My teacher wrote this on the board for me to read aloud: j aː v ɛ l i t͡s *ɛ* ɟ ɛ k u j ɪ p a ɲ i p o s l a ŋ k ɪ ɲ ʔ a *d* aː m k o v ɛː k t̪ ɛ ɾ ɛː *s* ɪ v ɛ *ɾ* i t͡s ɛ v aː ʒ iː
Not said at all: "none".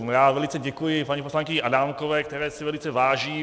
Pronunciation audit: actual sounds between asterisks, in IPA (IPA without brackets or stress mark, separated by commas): ɛ, d, s, l